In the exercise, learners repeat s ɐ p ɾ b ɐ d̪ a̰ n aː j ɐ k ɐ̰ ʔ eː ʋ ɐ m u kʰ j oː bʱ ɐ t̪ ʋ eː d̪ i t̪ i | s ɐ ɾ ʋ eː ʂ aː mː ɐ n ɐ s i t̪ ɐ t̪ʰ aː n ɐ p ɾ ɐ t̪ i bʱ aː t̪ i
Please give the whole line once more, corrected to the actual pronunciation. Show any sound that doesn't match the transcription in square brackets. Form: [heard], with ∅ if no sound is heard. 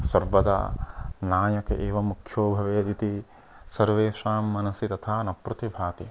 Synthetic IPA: s ɐ [∅] ɾ b ɐ d̪ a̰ n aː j ɐ k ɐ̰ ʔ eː ʋ ɐ m u kʰ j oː bʱ ɐ [∅] ʋ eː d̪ i t̪ i | s ɐ ɾ ʋ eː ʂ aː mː ɐ n ɐ s i t̪ ɐ t̪ʰ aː n ɐ p ɾ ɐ t̪ i bʱ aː t̪ i